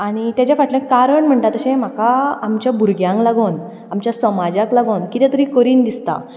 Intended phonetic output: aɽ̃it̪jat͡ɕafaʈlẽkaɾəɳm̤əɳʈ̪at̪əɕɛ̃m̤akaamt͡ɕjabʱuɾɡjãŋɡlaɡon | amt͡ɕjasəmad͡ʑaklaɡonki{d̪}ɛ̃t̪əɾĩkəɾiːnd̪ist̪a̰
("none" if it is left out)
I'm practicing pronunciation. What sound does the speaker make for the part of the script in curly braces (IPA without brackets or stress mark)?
t̪